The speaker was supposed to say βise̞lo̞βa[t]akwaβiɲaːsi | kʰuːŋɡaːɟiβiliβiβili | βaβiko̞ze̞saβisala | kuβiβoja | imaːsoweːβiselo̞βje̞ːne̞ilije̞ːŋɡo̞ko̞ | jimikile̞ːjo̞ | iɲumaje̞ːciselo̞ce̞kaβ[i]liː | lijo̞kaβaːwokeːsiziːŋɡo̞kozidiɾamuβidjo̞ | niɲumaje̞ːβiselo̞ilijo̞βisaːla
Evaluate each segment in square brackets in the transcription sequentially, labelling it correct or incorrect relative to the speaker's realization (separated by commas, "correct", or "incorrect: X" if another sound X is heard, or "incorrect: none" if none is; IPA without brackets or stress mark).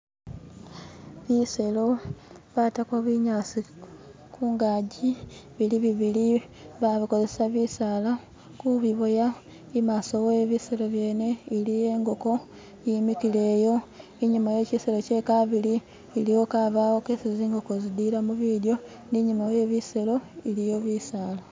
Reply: correct, correct